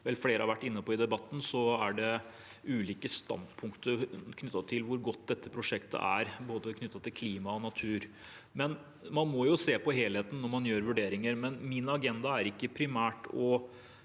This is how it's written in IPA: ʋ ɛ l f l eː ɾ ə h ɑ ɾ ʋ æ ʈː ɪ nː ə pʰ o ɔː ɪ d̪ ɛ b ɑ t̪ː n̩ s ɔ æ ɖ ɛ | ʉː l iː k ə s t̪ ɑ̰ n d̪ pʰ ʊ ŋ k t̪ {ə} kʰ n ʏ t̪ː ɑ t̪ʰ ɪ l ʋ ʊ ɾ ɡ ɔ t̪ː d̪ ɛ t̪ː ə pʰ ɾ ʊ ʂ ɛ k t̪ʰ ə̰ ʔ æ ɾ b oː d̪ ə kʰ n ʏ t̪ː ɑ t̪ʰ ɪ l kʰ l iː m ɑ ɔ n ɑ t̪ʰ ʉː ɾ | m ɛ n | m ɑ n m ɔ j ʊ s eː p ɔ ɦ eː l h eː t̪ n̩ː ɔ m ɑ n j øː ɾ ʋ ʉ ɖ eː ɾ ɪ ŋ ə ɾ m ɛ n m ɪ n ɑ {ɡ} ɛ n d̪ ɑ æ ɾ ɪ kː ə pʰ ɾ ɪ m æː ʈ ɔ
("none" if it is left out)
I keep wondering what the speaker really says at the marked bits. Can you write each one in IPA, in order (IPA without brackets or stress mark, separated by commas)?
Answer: ə, ɡ